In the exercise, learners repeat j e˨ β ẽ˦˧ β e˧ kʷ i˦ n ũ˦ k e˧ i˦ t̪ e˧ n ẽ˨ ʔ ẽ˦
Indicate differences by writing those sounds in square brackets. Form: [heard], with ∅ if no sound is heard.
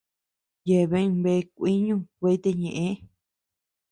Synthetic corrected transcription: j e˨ β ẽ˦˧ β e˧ kʷ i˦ [ɲ] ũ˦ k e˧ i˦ t̪ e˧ [ɲ] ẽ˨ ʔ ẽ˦